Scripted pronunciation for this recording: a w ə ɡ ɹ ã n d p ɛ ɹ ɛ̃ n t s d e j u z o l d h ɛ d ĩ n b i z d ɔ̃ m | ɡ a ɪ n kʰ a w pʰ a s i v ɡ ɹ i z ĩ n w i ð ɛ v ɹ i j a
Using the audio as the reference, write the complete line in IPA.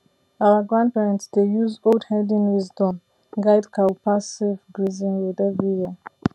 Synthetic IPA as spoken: a w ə ɡ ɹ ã n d p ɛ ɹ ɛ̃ n t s d e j u z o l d h ɛ d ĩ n w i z d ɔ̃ m | ɡ a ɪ d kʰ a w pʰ a s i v ɡ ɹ i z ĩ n w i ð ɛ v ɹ i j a